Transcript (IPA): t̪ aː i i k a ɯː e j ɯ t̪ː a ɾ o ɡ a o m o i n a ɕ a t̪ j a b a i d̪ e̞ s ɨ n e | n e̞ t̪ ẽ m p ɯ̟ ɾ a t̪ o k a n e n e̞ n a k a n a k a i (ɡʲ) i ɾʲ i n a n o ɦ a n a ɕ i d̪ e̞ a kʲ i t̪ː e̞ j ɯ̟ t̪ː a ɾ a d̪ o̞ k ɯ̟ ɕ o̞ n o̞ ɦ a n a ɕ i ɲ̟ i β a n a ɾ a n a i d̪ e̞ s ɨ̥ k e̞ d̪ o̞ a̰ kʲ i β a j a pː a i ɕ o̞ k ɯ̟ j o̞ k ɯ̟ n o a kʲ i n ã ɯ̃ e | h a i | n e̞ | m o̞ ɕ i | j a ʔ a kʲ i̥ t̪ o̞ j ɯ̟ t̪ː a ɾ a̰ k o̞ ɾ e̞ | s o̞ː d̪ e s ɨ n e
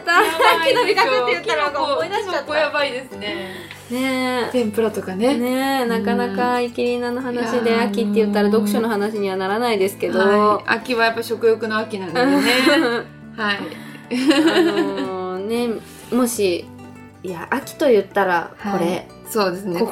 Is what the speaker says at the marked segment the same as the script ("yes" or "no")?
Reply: no